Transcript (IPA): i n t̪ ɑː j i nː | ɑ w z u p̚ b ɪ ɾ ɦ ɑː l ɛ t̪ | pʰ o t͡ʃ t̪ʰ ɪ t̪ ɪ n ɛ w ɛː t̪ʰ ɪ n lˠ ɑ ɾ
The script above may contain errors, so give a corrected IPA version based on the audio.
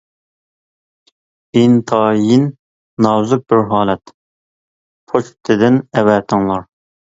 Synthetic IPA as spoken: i n t̪ʰ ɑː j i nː | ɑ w z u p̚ b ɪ ɾ ɦ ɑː l ɛ t̪ | pʰ o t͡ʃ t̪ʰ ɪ d̪ ɪ n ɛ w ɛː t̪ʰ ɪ ŋ lˠ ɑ ɾ